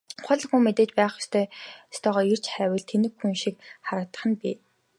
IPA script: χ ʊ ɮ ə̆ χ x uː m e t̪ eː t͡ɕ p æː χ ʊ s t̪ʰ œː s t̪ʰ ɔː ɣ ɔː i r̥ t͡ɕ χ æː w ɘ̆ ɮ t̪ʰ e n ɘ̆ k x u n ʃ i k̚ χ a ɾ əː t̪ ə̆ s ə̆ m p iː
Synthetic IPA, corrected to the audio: χ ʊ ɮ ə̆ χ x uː m e t̪ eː t͡ɕ p æː χ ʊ s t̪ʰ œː s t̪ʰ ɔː ʁ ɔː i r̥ t͡ɕ χ æː w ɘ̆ ɮ t̪ʰ e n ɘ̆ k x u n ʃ i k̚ χ a ɾ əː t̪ ə̆ χ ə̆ n p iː